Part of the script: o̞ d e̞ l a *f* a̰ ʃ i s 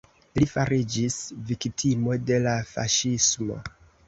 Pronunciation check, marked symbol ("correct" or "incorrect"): correct